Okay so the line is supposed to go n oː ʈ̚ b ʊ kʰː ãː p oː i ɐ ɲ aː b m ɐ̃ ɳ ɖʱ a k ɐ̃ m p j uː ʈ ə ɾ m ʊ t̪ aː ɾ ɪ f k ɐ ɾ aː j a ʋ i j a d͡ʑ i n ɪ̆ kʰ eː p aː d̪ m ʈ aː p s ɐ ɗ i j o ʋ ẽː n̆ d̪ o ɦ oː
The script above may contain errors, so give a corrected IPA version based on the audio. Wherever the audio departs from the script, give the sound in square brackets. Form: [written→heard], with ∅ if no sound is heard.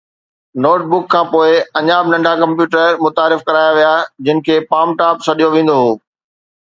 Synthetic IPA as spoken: n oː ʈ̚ b ʊ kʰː ãː p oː [i→ɪ] ɐ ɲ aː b [m→n] ɐ̃ ɳ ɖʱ a k ɐ̃ m p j uː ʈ ə ɾ m ʊ t̪ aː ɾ ɪ f k ɐ ɾ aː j a ʋ i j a d͡ʑ [i→ɪ] n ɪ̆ kʰ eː p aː [d̪→∅] m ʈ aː p s ɐ ɗ i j o ʋ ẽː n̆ d̪ o ɦ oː